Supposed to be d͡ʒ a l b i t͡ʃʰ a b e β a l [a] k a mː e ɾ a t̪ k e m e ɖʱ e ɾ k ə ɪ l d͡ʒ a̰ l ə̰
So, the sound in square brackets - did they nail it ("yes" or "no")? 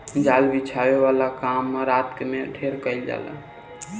yes